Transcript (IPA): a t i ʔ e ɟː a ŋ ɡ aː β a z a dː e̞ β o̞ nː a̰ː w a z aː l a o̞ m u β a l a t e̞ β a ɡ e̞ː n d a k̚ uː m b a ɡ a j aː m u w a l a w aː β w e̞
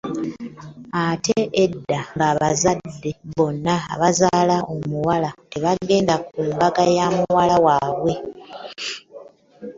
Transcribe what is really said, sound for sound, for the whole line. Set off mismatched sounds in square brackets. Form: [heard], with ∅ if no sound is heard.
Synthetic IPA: a t [e] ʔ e [dː] a ŋ ɡ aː β a z a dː e̞ β o̞ nː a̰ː [β] a z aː l a o̞ m u [w] a l a t e̞ β a ɡ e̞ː n d a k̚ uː m b a ɡ a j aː m u w a l a w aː β w e̞